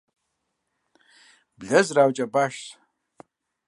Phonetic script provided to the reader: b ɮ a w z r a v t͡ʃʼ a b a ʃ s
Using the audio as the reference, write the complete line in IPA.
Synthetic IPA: b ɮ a z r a w t͡ʃʼ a b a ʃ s